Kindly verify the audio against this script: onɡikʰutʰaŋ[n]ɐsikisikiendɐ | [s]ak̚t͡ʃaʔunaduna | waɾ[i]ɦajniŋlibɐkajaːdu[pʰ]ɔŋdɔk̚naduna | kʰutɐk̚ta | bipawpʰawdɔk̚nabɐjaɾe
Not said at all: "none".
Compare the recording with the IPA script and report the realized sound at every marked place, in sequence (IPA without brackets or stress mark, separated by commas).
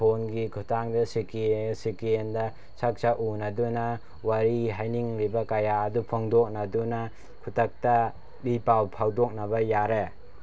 d, s, i, pʰ